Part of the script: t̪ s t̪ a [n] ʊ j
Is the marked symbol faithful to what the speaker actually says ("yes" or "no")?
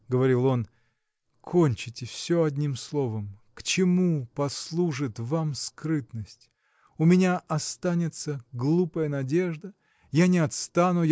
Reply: yes